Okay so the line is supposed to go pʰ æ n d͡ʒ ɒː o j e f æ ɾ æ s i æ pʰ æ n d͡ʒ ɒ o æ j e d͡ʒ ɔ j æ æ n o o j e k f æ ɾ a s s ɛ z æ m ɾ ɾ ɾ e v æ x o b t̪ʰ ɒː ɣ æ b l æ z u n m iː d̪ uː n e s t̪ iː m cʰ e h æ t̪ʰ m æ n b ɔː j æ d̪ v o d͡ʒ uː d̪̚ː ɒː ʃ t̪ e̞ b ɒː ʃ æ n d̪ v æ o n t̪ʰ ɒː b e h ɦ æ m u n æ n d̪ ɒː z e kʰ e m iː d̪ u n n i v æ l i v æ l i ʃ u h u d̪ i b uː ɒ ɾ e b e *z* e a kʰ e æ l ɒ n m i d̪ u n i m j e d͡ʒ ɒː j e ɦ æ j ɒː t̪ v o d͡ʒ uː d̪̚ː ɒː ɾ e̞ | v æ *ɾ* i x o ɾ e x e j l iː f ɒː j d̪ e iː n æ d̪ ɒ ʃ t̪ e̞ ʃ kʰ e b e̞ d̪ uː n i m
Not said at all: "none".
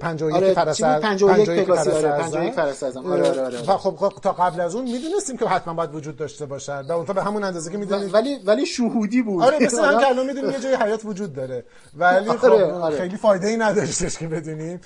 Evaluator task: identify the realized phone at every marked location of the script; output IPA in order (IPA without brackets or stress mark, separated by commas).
s, l